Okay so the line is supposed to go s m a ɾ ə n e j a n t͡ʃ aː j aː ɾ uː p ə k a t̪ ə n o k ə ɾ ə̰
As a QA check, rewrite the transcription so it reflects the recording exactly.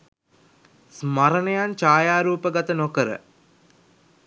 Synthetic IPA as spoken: s m a ɾ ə n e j a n t͡ʃ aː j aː ɾ uː p ə ɡ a t̪ ə n o k ə ɾ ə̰

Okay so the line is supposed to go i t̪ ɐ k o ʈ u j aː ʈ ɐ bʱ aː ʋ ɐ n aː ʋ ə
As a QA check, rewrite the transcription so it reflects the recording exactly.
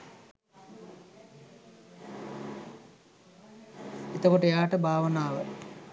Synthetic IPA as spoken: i t̪ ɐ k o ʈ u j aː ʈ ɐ bʱ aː ʋ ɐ n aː ʋ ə

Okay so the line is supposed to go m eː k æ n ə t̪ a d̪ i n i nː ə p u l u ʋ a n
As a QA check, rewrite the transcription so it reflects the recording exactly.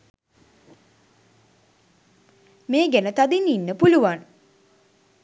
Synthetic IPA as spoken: m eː ɡ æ n ə t̪ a d̪ i n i nː ə p u l u ʋ a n

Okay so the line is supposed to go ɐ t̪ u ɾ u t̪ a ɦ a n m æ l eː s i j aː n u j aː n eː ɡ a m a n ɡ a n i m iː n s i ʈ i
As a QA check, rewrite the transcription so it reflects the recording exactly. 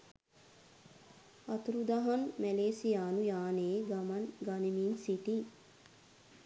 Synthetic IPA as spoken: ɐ t̪ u ɾ u d̪ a ɦ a n m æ l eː s i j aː n u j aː n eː ɡ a m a n ɡ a n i m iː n s i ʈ i

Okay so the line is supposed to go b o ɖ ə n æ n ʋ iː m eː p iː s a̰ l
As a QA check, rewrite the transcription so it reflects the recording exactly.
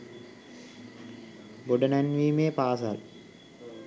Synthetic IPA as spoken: b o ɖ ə n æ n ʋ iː m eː p aː s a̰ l

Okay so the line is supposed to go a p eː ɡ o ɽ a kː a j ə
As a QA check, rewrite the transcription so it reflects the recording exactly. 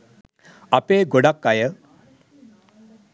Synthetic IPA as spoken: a p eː ɡ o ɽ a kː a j ə

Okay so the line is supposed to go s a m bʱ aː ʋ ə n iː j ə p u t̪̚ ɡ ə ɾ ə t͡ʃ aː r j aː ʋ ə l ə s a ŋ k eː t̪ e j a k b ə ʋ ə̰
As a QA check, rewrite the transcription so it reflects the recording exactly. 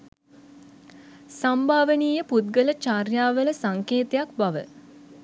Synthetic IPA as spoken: s a m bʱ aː ʋ ə n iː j ə p u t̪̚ ɡ ə l ə t͡ʃ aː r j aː ʋ ə l ə s a ŋ k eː t̪ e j a k b a ʋ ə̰

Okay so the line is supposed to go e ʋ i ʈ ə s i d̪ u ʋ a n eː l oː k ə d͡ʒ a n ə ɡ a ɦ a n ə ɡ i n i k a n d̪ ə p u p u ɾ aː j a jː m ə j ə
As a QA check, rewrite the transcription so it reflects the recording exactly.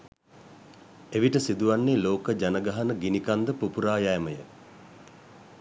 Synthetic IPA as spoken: e ʋ i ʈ ə s i d̪ u ʋ a nː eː l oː k ə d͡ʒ a n ə ɡ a ɦ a n ə ɡ i n i k a n d̪ ə p u p u ɾ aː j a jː m ə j ə

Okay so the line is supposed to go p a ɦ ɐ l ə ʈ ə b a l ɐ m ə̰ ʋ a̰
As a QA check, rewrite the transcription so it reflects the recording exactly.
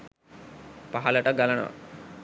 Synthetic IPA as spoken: p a ɦ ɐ l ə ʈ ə ɡ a l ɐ n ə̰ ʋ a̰

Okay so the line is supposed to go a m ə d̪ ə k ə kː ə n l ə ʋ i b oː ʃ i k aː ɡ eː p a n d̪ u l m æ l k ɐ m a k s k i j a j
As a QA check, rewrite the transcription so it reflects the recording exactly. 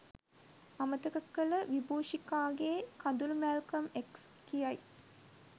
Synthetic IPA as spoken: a m ə t̪ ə k ə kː ə l ə ʋ i b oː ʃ i k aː ɡ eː k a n d̪ u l m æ l k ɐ m e k s k i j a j

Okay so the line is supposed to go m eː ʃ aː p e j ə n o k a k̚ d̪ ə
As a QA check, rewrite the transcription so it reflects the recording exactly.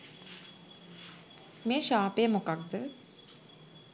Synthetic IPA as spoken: m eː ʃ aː p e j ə m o k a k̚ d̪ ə

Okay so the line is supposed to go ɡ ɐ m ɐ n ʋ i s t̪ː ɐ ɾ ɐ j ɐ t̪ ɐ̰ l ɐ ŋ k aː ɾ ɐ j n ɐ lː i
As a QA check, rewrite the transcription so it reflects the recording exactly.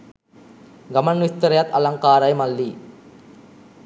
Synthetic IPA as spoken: ɡ ɐ m ɐ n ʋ i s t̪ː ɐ ɾ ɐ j ɐ t̪ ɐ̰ l ɐ ŋ k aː ɾ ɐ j m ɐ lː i

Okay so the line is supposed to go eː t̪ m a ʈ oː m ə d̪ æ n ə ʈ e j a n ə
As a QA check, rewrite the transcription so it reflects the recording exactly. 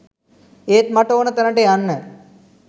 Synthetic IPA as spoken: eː t̪ m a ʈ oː n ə t̪ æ n ə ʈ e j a nː ə

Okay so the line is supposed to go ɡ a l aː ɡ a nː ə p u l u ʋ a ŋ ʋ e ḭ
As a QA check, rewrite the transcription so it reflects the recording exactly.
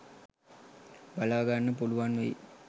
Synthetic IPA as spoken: b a l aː ɡ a nː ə p u l u ʋ a n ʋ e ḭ

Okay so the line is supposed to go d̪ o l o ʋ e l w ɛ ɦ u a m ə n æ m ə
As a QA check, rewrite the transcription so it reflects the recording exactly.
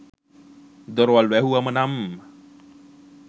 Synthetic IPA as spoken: d̪ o ɾ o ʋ a l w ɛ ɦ u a m ə n a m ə

